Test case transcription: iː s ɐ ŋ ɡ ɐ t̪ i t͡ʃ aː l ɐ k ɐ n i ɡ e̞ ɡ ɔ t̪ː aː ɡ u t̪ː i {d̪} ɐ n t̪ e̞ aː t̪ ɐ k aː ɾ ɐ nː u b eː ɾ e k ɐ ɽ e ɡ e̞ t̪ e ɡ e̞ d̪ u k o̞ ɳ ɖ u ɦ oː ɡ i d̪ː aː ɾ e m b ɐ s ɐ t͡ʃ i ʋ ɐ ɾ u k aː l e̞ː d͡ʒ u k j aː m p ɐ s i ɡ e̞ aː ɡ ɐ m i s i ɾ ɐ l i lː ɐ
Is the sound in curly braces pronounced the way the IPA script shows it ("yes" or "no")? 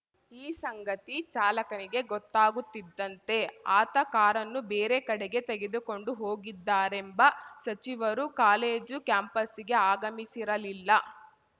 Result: no